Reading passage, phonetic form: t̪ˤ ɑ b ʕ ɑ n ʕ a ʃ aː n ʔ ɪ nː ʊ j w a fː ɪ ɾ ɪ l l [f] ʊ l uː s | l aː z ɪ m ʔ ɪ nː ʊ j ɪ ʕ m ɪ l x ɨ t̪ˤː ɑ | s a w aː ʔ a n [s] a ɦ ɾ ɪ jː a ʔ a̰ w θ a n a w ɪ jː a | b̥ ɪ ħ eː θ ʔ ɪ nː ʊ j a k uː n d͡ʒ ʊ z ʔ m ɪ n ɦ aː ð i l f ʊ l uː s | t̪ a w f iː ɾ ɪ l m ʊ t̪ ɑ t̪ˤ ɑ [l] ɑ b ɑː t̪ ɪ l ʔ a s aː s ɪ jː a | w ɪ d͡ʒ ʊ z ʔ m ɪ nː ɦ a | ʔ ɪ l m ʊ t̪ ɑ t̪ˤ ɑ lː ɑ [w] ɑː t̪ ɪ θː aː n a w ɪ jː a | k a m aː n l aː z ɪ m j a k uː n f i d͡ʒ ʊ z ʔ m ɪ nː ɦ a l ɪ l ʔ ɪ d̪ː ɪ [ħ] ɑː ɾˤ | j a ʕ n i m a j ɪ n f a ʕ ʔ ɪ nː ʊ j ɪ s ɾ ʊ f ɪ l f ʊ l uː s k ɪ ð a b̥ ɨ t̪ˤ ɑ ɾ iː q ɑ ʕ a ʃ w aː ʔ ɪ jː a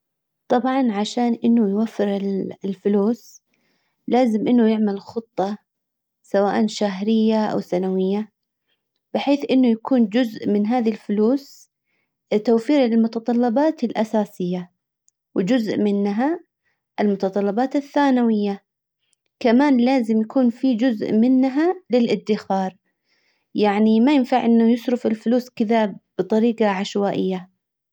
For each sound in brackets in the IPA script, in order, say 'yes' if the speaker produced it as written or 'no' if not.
yes, no, no, no, no

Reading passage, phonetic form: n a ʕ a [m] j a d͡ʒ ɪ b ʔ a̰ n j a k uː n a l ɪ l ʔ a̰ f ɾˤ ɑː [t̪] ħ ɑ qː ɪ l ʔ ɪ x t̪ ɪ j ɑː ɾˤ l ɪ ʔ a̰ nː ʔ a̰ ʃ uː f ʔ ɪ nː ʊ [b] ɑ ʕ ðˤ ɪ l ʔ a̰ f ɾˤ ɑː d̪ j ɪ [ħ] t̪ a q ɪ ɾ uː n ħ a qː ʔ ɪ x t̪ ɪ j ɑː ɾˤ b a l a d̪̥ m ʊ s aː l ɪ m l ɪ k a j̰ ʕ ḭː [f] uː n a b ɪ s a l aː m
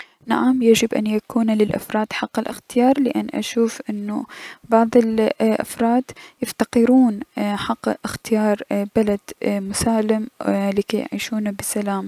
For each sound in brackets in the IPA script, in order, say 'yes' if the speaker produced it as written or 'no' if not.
yes, no, yes, no, no

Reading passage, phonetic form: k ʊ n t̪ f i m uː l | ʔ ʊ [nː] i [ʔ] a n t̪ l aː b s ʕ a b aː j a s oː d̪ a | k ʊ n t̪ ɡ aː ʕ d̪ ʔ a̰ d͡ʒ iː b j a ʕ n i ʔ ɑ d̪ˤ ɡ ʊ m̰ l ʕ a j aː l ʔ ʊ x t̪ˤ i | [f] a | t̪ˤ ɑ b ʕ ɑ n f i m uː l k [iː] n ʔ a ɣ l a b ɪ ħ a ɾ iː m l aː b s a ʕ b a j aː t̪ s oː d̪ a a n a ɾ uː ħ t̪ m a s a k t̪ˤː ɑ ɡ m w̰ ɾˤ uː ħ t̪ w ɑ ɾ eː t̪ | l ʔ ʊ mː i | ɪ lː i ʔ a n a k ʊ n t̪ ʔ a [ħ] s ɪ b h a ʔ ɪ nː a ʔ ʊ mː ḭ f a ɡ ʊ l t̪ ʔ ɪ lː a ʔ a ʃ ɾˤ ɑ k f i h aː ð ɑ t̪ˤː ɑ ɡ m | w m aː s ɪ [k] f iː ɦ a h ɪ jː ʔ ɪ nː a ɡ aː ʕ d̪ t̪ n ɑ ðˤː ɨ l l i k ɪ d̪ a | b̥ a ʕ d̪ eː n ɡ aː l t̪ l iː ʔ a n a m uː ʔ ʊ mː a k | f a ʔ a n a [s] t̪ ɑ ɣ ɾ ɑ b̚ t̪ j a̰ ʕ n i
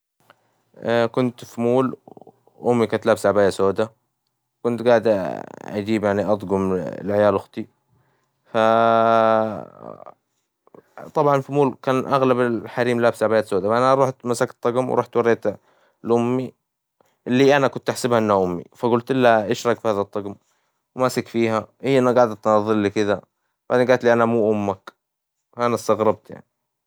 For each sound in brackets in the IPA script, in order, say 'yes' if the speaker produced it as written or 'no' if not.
no, no, yes, no, yes, yes, yes

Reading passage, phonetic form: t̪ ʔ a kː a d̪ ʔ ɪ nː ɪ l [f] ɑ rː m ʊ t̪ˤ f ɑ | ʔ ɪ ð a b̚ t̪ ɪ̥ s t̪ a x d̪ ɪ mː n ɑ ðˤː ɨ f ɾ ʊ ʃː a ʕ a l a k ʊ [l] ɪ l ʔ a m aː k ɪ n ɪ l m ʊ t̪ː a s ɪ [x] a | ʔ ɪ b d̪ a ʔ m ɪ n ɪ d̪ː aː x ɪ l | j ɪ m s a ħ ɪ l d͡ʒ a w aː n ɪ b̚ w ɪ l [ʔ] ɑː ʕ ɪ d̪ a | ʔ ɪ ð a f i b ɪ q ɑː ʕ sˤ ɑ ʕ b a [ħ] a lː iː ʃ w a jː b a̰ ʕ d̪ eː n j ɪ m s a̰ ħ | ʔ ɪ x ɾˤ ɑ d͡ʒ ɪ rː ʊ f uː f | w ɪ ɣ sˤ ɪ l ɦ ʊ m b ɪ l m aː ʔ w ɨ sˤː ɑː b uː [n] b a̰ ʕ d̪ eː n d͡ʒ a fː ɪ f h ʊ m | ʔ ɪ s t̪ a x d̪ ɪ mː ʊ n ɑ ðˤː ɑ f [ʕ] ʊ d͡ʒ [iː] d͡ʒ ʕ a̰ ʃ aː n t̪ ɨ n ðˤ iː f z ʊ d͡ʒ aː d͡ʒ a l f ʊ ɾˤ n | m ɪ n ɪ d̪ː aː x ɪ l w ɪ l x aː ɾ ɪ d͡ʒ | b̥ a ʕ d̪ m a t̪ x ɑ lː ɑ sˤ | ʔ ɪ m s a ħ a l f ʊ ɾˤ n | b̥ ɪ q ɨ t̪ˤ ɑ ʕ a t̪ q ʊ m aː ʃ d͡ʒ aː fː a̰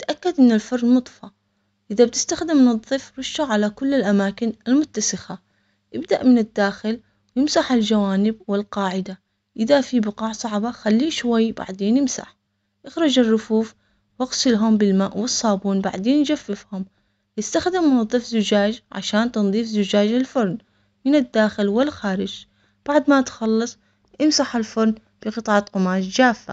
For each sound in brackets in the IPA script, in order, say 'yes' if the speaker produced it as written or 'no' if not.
yes, no, yes, no, no, yes, no, no

